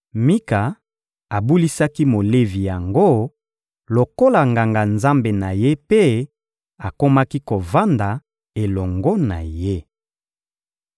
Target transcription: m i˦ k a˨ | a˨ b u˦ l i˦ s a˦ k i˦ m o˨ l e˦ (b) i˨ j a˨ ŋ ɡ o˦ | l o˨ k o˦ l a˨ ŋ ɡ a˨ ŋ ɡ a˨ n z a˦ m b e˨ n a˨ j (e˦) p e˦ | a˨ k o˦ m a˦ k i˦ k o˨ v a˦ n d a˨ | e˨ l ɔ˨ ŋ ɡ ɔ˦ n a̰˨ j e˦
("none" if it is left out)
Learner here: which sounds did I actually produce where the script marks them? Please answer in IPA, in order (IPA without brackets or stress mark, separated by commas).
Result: v, e˦